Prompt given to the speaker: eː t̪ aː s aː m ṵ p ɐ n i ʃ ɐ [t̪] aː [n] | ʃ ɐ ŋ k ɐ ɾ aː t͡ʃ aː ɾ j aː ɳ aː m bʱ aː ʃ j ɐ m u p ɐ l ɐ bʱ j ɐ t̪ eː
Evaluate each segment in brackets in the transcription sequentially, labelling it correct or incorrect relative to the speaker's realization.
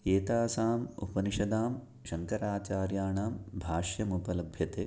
incorrect: d̪, incorrect: m

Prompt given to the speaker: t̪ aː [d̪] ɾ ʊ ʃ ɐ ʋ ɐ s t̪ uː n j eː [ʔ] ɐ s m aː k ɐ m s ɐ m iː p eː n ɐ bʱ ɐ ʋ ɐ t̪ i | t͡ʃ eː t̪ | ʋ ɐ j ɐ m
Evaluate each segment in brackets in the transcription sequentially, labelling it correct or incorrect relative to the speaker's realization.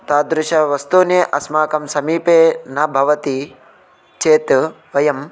correct, correct

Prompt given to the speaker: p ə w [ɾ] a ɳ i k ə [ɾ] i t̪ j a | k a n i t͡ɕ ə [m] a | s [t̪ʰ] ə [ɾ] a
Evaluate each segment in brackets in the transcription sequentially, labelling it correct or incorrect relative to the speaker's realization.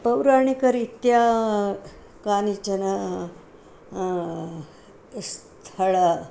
correct, correct, incorrect: n, correct, incorrect: ɭ

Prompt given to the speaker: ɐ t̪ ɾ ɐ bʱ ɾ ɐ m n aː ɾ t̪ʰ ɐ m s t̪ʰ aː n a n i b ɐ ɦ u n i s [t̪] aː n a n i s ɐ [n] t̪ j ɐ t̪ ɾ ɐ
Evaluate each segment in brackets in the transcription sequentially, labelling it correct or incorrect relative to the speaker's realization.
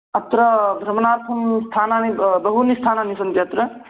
incorrect: t̪ʰ, correct

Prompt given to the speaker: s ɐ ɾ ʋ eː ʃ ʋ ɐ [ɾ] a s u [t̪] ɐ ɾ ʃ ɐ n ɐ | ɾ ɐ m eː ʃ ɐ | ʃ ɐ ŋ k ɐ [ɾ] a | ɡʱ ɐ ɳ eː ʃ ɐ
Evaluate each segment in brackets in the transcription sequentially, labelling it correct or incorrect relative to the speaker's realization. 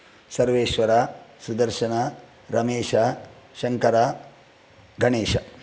correct, incorrect: d̪, correct

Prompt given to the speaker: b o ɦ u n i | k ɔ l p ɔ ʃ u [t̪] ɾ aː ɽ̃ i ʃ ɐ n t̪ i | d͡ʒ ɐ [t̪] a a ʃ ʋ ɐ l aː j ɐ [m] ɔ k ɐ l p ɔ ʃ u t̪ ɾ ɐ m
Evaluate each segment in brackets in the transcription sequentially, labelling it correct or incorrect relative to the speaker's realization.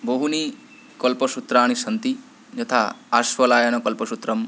correct, incorrect: t̪ʰ, incorrect: n

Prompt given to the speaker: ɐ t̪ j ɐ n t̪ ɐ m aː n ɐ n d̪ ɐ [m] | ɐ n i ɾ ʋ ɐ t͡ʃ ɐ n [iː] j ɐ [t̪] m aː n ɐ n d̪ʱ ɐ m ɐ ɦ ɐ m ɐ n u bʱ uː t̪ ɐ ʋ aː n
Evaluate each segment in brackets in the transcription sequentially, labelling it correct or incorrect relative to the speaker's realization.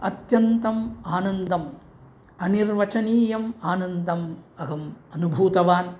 correct, correct, incorrect: none

